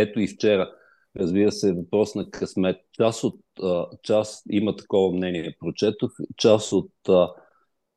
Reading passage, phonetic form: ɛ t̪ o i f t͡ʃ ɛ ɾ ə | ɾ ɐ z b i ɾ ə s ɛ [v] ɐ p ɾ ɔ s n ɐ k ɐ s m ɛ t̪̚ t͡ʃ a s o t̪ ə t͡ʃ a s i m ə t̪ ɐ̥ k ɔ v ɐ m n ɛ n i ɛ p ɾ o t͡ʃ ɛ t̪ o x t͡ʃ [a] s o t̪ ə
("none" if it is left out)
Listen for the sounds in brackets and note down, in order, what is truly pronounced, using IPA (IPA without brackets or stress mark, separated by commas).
v, a